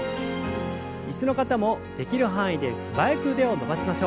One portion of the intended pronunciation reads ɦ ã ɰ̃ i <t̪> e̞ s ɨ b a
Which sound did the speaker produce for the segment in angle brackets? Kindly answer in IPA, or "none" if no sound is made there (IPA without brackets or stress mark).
d̪